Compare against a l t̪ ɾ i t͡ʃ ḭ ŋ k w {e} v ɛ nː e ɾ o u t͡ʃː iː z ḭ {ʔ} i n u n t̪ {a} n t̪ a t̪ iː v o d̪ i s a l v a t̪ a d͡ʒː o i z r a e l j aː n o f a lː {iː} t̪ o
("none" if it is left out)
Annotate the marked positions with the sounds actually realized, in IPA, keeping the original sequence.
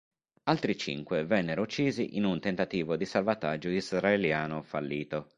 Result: e, ʔ, e, iː

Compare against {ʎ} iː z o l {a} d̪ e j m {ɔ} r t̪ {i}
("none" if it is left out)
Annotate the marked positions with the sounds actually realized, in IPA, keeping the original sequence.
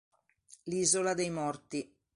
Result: l, a, ɔ, i

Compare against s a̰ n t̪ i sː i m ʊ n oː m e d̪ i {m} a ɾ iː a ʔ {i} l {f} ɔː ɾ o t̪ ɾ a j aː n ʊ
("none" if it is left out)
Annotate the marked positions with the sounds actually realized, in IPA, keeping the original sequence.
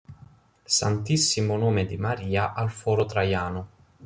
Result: m, a, f

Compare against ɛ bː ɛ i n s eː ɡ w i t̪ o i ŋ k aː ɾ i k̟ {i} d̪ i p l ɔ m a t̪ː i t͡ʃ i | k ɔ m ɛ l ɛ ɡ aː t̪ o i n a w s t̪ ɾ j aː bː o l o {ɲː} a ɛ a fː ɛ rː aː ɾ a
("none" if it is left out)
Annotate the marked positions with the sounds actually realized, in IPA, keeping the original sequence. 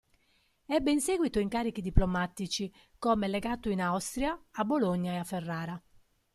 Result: i, ɲː

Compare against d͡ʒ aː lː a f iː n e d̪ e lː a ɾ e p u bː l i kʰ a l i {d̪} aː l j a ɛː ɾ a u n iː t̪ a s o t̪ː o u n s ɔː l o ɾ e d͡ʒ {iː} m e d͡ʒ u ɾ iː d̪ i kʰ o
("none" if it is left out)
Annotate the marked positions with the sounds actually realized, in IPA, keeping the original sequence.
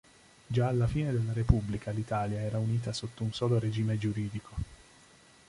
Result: t̪, iː

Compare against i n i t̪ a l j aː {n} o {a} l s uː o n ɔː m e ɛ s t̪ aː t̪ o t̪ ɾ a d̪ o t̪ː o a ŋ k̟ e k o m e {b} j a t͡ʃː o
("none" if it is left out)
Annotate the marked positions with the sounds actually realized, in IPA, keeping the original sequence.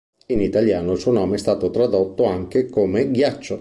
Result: n, i, ɡ

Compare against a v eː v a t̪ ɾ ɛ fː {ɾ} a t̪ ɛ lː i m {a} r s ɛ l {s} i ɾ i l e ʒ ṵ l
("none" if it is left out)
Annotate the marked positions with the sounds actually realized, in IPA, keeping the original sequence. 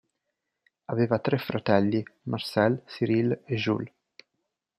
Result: ɾ, a, s

